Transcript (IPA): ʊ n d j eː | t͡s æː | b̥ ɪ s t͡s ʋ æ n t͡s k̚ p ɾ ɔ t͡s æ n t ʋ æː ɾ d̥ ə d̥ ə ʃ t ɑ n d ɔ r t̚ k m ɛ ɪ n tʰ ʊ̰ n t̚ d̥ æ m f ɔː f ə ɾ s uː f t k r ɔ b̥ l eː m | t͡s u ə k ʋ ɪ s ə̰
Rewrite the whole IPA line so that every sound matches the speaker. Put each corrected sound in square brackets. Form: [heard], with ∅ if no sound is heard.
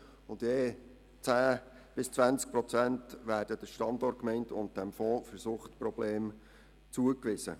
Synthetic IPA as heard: ʊ n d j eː | t͡s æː | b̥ ɪ s t͡s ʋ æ n t͡s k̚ p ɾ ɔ t͡s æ n t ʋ æː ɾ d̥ ə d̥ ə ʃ t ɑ n d ɔ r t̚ k m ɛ ɪ n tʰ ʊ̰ n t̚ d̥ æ m f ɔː f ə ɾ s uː [χ] t [p] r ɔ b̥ l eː m | t͡s u ə k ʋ ɪ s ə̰